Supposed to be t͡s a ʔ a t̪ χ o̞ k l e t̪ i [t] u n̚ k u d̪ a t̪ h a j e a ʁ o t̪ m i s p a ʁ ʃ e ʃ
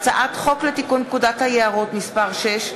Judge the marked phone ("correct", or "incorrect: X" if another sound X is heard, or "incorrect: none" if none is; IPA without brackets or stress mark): incorrect: k